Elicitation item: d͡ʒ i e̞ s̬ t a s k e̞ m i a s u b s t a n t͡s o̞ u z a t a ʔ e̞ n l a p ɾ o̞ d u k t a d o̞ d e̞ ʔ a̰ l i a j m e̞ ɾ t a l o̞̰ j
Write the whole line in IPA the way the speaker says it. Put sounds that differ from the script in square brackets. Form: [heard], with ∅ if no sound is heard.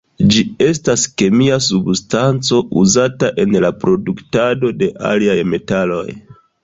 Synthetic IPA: d͡ʒ i e̞ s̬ t a s k e̞ m i a s u b s t a n t͡s o̞ u z a t a ʔ e̞ n l a p ɾ o̞ d u k t a d o̞ d e̞ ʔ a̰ l i a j m e̞ [∅] t a l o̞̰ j